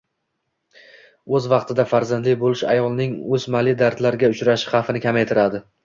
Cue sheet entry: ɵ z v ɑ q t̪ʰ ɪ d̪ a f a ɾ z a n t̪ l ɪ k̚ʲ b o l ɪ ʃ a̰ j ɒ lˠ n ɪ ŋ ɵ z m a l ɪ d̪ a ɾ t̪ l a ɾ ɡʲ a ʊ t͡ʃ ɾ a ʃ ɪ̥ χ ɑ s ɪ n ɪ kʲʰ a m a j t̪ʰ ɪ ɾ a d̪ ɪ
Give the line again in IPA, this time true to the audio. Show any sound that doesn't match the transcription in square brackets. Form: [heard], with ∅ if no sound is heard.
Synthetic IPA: ɵ z v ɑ q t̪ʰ ɪ d̪ a f a ɾ z a n [d̪] l ɪ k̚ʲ b o l ɪ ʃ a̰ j ɒ lˠ n ɪ ŋ ɵ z m a l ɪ d̪ a ɾ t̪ l a ɾ ɡʲ a ʊ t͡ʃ ɾ a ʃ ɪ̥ χ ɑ [f] ɪ n ɪ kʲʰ a m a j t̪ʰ ɪ ɾ a d̪ ɪ